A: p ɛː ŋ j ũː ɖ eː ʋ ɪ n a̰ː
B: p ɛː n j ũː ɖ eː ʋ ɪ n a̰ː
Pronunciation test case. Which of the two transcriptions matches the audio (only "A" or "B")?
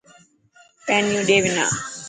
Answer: B